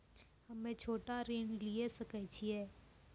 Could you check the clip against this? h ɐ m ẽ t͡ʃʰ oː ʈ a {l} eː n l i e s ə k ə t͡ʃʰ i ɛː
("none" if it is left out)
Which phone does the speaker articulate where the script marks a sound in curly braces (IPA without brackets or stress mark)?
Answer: ɾ